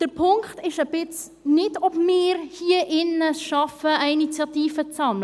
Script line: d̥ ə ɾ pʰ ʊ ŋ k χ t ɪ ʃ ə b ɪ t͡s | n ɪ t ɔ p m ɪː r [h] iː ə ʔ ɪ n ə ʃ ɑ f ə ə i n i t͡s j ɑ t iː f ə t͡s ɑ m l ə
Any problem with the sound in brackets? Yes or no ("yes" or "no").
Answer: no